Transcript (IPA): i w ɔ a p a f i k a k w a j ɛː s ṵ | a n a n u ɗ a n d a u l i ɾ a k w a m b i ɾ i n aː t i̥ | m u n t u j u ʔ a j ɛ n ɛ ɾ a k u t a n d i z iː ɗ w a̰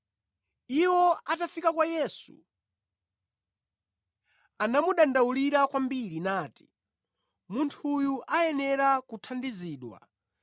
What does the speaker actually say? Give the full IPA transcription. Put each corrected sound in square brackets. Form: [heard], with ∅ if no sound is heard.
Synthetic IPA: i w ɔ a [t] a f i k a k w a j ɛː s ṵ | a n a [m] u ɗ a n d a u l i ɾ a k w a m b i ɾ i n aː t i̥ | m u n [tʰ] u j u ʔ a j ɛ n ɛ ɾ a k u [tʰ] a n d i z iː ɗ w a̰